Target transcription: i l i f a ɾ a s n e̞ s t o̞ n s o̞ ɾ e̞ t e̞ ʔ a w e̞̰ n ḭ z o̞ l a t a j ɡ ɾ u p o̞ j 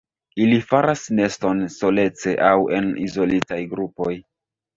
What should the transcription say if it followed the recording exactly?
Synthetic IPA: i l i f a ɾ a s n e̞ s t o̞ n s o̞ l e̞ t͡s e̞ ʔ a w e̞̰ n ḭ z o̞ l i t a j ɡ ɾ u p o̞ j